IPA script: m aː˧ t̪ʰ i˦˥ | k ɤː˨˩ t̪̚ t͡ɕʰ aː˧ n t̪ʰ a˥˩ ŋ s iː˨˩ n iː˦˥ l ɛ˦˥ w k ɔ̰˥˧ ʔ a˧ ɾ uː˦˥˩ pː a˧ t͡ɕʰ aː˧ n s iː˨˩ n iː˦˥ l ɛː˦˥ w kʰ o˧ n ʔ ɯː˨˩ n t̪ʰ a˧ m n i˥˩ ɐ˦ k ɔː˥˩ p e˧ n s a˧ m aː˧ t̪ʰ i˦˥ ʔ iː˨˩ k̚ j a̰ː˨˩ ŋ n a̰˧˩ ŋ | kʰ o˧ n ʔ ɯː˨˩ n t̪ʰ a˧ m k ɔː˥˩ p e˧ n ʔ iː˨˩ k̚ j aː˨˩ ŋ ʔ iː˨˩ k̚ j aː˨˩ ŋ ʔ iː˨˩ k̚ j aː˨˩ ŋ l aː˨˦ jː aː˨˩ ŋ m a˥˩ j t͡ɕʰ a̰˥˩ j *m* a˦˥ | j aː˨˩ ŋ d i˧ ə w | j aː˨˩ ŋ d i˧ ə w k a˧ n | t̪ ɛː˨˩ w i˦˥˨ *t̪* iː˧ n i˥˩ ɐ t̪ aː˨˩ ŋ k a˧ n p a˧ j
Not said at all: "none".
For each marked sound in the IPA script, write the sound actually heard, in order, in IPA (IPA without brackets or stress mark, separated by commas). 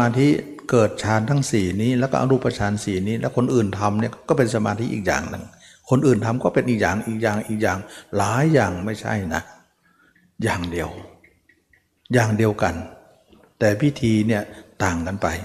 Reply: n, t̪ʰ